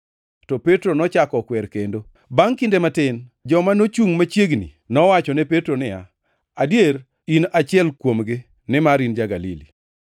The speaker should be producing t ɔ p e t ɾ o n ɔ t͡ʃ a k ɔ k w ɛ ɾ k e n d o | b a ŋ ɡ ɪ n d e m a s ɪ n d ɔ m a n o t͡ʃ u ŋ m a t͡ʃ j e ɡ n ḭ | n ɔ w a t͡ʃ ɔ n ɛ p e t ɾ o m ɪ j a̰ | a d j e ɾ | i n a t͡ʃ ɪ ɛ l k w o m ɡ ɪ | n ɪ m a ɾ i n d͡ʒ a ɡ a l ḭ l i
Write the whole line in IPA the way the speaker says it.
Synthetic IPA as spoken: t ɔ p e t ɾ o n ɔ t͡ʃ a k ɔ k w ɛ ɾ k e n d o | b a ŋ k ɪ n d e m a t ɪ n d͡ʒ ɔ m a n o t͡ʃ u ŋ m a t͡ʃ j e ɡ n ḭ | n ɔ w a t͡ʃ ɔ n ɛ p e t ɾ o n ɪ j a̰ | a d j e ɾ | i n a t͡ʃ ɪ ɛ l k w o m ɡ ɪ | n ɪ m a ɾ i n d͡ʒ a ɡ a l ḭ l i